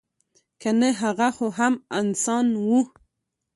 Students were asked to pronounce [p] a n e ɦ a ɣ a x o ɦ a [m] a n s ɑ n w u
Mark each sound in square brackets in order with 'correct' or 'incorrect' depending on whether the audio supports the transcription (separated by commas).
incorrect, correct